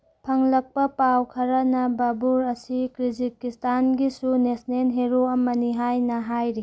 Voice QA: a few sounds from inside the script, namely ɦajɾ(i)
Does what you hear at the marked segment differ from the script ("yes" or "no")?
no